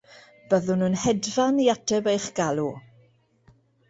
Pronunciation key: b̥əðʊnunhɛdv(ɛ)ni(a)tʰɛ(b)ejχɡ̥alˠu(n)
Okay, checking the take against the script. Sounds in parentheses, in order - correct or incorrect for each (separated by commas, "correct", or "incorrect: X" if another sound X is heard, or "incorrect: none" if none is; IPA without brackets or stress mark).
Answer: incorrect: a, correct, correct, incorrect: none